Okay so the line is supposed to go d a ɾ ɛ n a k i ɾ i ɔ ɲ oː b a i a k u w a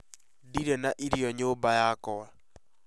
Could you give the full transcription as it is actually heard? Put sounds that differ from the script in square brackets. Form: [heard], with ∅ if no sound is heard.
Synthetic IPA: d [i] ɾ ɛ n a [ʔ] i ɾ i ɔ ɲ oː b a [j] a k [ɔ] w a

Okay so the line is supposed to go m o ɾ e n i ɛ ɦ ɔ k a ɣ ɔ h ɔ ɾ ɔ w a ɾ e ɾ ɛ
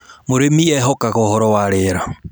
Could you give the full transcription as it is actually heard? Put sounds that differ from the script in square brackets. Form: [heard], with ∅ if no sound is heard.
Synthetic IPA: m o ɾ e [m] i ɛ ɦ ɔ k a ɣ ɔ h ɔ ɾ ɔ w a ɾ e ɾ [a]

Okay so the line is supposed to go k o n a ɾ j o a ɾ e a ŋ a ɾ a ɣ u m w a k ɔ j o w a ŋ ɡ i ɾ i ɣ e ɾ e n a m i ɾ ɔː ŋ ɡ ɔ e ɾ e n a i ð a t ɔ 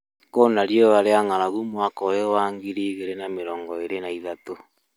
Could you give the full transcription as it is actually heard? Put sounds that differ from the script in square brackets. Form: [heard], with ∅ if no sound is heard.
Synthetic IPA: k o n a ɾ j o a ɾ e a ŋ a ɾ a ɣ u m w a k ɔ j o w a ŋ ɡ i ɾ i ɣ e ɾ e n a m [e] ɾ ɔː ŋ ɡ ɔ e ɾ e n a i ð a t [o]

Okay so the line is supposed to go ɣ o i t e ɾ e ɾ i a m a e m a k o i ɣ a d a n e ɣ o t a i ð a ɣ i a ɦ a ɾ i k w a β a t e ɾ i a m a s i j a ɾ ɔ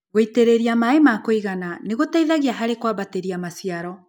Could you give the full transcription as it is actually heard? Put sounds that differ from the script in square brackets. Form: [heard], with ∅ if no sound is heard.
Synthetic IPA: ɣ o i t e ɾ e ɾ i a m a e m a k o i ɣ a [n] a n e ɣ o t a i ð a ɣ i a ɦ a ɾ [e] k w a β a t e ɾ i a m a s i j a ɾ ɔ

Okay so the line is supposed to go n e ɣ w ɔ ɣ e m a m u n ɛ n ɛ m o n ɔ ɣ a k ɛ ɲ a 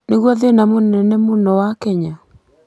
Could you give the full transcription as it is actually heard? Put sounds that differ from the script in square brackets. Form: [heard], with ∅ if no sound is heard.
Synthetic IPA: n e ɣ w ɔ [ð] e [n] a m [o] n ɛ n ɛ m o n ɔ [w] a k ɛ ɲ a

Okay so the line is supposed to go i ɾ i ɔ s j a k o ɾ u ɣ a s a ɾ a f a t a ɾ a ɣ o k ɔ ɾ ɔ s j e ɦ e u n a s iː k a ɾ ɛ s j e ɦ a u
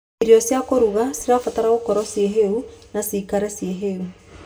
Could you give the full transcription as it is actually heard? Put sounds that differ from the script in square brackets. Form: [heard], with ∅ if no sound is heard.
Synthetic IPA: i ɾ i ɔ s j a k o ɾ u ɣ a s [i] ɾ a f a t a ɾ a ɣ o k ɔ ɾ ɔ s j e ɦ e u n a s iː k a ɾ ɛ s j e ɦ [e] u

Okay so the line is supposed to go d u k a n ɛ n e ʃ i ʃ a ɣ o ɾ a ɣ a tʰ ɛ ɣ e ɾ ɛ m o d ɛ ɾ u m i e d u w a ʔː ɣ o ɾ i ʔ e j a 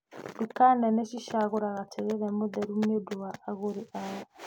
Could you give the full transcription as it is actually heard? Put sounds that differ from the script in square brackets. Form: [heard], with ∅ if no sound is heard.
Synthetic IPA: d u k a n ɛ n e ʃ i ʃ a ɣ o ɾ a ɣ a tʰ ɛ ɣ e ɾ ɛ m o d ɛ ɾ u m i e d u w a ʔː ɣ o ɾ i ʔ [a] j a

